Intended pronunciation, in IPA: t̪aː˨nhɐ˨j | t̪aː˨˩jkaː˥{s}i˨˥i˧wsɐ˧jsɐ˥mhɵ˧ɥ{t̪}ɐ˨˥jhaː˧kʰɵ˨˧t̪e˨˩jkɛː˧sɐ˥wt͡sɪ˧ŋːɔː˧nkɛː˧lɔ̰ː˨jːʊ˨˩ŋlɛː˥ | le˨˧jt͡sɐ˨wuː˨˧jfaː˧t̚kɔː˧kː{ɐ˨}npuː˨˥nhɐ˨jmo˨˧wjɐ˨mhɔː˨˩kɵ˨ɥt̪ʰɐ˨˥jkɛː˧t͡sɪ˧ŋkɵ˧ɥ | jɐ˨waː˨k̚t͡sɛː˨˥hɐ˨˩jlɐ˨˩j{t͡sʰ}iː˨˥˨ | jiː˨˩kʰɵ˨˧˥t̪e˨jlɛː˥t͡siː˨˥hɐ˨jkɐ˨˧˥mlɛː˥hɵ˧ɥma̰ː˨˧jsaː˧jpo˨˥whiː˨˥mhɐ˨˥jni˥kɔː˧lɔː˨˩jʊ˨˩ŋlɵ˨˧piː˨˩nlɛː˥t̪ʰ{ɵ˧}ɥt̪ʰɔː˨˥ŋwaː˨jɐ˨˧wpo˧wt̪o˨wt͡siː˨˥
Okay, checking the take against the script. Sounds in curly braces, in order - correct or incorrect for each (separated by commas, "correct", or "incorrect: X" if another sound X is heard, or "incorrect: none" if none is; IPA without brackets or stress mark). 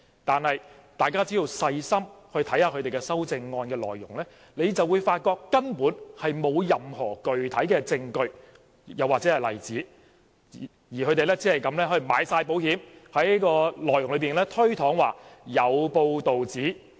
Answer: incorrect: t͡s, incorrect: t̪ʰ, incorrect: ɐ˥, incorrect: t͡s, incorrect: ɵ˥